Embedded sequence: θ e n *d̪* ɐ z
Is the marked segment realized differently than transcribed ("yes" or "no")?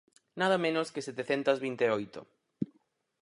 yes